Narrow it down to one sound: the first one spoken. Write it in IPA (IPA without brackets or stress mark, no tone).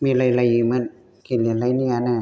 m